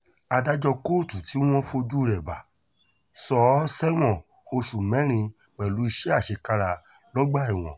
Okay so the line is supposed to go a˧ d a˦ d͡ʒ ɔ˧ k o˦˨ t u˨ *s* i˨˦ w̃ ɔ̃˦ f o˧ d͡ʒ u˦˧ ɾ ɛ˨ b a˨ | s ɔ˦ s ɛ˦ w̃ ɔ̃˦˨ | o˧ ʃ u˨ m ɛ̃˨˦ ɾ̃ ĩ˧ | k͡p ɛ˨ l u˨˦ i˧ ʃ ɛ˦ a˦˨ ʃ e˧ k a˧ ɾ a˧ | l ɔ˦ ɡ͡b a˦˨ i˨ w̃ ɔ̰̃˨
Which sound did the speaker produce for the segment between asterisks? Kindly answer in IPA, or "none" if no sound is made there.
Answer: t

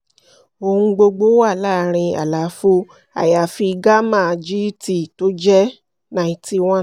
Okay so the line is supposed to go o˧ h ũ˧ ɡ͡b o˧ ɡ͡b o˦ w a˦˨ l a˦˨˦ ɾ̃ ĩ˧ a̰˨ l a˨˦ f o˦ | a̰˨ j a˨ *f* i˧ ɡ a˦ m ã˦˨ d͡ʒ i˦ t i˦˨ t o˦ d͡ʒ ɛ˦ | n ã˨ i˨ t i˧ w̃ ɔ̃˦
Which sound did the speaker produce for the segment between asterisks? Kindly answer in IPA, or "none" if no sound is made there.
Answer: f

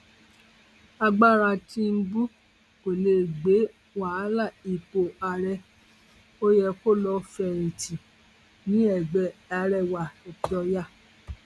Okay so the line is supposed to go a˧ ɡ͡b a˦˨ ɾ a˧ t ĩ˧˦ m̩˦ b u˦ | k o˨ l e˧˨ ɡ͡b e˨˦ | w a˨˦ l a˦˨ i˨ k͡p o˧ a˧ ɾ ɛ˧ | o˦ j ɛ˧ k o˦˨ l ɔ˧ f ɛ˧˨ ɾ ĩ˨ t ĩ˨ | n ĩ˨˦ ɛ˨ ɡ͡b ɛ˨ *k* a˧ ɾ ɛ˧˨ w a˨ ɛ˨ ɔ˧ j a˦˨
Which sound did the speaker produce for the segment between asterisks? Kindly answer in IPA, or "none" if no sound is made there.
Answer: none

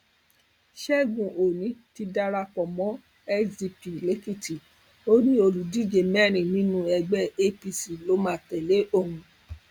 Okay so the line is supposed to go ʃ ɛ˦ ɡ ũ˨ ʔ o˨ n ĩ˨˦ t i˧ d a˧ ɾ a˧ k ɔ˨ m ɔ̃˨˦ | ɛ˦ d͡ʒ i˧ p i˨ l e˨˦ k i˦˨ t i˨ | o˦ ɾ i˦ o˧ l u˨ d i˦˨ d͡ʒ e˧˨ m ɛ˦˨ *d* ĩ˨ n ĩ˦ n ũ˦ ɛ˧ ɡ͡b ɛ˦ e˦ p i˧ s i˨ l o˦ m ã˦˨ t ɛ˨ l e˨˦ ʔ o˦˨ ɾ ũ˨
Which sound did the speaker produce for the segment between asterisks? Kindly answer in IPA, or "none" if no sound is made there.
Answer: n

